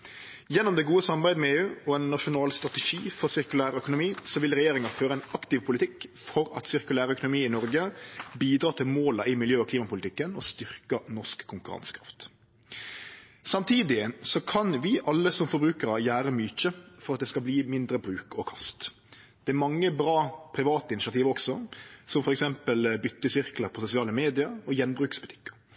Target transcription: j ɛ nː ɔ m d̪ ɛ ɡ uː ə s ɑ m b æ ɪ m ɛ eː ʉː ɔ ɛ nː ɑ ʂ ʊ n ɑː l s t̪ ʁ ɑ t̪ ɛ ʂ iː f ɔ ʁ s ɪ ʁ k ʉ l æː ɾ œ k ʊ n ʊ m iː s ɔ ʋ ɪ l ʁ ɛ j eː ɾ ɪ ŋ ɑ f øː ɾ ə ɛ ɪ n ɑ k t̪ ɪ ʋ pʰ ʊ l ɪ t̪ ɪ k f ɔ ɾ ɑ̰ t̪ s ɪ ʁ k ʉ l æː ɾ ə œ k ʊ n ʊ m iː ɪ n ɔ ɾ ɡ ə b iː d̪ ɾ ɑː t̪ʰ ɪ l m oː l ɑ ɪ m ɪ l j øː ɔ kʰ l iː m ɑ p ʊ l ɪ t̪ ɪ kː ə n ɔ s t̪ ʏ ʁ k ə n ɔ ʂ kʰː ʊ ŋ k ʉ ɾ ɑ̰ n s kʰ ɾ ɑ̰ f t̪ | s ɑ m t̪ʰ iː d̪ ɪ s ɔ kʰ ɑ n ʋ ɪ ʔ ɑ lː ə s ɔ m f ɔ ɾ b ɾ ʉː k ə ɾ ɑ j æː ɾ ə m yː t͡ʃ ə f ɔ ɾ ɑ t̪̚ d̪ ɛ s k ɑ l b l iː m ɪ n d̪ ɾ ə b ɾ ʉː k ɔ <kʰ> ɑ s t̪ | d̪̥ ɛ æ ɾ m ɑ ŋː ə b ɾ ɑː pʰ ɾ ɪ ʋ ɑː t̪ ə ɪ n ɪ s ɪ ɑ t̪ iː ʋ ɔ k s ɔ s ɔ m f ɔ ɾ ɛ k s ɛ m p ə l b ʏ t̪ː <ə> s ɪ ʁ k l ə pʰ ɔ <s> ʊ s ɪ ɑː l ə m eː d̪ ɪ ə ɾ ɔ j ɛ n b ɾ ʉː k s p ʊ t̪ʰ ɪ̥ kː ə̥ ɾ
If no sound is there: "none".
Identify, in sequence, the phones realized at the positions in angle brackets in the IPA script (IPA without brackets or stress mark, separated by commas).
kʰ, ə, s